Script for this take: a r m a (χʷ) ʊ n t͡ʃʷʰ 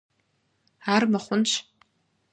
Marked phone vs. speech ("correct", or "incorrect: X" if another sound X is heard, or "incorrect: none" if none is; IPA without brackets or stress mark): correct